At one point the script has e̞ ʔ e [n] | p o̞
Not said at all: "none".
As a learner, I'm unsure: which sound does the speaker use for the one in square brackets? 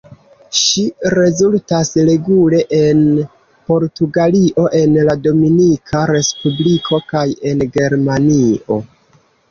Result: n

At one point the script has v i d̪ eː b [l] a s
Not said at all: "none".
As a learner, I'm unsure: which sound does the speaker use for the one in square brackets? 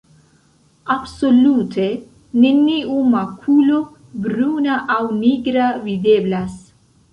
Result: l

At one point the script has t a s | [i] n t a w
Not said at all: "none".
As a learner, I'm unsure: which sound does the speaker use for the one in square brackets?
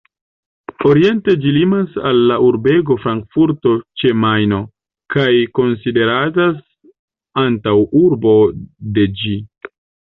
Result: a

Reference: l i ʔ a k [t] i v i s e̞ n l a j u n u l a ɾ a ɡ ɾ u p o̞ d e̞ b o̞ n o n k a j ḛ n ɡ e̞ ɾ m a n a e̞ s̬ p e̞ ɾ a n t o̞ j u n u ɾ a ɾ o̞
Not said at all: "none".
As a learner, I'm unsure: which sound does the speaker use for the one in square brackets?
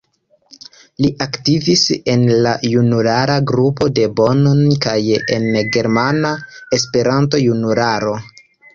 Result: t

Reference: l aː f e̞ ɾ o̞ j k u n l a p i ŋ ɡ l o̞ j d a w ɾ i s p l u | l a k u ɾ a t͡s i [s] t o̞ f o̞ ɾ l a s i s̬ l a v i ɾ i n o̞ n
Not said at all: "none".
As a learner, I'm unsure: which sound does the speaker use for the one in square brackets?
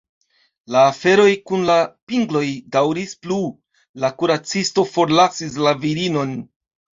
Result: s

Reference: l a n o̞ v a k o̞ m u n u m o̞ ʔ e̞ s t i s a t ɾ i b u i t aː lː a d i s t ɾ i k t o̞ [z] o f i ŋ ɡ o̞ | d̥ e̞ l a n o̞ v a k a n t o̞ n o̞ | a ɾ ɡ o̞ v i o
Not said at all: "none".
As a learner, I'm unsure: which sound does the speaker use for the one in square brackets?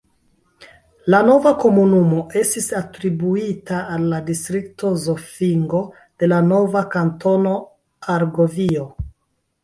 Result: z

